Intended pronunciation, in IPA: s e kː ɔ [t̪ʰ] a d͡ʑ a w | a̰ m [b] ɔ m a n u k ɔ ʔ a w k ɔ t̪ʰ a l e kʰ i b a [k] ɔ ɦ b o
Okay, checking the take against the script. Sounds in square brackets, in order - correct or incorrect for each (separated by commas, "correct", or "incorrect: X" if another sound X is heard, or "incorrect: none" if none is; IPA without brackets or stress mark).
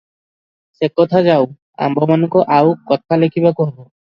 correct, correct, correct